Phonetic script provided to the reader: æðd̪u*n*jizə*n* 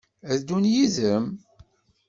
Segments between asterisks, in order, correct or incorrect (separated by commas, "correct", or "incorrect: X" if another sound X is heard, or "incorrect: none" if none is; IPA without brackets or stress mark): correct, incorrect: m